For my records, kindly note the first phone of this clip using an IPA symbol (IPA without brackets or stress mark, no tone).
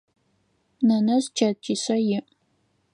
n